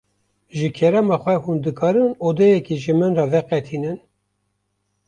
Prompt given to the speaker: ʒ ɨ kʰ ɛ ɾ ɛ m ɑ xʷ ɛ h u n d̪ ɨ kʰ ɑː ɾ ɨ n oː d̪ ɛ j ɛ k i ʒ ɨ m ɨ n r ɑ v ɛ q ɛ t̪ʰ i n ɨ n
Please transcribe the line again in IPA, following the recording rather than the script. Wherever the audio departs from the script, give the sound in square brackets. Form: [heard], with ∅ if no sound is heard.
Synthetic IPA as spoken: ʒ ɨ kʰ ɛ ɾ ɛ m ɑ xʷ ɛ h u n d̪ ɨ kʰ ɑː ɾ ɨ n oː d̪ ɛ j ɛ k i ʒ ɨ m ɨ n r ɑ v ɛ q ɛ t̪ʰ i n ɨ n